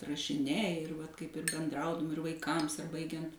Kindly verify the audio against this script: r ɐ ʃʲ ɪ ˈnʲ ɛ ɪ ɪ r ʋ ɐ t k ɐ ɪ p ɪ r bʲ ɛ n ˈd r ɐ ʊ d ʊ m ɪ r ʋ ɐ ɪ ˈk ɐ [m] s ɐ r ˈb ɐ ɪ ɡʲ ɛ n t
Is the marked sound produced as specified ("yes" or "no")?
yes